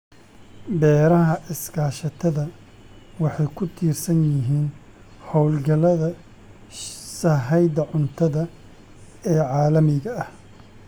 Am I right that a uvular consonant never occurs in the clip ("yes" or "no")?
yes